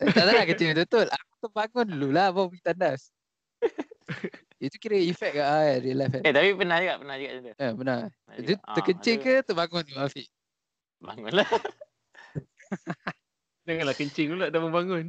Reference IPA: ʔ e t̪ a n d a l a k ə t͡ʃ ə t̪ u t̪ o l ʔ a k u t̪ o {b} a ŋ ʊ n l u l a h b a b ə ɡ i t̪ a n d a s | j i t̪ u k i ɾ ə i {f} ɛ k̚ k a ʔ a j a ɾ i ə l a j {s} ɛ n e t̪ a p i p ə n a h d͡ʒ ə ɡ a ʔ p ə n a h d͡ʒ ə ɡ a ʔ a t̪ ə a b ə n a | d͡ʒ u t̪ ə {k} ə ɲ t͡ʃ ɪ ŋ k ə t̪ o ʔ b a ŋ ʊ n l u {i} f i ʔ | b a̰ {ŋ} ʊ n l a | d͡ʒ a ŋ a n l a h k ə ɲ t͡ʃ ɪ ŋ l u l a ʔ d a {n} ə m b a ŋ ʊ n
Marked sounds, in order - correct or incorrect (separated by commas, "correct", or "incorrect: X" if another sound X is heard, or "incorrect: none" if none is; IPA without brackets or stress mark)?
correct, correct, incorrect: f, correct, incorrect: a, correct, incorrect: m